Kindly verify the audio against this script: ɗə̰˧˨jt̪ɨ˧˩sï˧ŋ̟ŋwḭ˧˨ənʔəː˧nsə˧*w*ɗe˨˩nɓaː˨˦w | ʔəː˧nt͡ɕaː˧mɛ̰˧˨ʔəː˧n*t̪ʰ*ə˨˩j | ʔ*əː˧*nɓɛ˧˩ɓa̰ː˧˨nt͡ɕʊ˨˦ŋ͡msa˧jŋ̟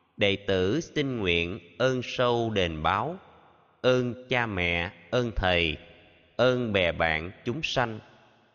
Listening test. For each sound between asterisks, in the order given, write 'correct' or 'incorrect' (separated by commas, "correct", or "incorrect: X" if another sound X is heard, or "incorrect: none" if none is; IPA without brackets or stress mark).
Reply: correct, correct, correct